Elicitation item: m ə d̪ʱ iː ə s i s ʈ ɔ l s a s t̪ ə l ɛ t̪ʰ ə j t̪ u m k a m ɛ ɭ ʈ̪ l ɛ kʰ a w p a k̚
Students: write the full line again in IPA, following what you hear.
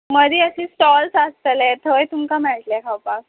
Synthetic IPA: m ə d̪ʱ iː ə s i s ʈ ɔ l s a s t̪ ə l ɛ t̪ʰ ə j t̪ u m k a m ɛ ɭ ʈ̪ l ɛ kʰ a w p a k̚